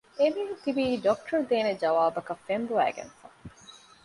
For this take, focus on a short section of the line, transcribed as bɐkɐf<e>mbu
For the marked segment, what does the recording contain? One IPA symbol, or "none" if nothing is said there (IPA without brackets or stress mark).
e